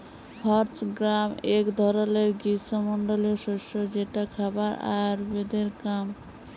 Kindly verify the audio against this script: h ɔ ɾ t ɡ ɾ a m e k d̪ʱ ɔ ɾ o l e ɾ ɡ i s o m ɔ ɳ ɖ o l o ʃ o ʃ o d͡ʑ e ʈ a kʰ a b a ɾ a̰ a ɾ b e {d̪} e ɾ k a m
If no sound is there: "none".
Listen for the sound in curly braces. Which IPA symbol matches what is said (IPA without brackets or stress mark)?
d̪